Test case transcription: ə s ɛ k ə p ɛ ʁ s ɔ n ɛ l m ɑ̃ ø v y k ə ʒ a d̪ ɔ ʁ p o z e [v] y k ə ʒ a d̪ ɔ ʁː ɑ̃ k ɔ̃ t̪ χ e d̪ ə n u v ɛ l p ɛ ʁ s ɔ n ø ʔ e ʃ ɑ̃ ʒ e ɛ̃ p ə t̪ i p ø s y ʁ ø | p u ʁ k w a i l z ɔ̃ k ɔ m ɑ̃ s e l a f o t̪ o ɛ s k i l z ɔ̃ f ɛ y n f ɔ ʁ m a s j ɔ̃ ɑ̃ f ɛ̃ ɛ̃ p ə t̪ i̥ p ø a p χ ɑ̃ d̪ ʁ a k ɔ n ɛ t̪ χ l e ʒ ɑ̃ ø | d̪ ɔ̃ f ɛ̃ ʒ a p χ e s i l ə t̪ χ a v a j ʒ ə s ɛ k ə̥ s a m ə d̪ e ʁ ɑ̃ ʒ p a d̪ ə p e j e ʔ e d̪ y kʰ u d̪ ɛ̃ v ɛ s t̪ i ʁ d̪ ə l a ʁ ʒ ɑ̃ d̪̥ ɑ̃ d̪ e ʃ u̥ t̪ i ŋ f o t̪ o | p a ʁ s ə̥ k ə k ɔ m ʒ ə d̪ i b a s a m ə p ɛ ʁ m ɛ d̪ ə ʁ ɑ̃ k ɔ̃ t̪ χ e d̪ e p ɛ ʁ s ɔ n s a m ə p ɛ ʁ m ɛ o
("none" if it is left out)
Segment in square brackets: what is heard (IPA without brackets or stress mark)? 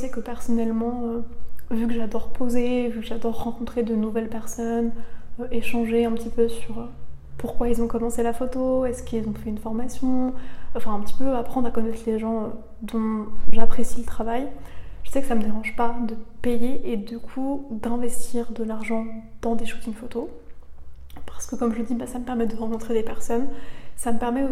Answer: v